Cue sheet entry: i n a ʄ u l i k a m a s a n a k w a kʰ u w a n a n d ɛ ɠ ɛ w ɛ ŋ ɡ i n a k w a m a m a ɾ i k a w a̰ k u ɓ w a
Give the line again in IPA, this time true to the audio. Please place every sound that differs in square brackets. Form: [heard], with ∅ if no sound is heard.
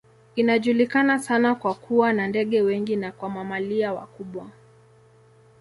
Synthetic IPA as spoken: i n a ʄ u l i k a [n] a s a n a k w a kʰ u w a n a n d ɛ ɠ ɛ w ɛ ŋ ɡ i n a k w a m a m a [l] i [∅] a w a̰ k u ɓ w a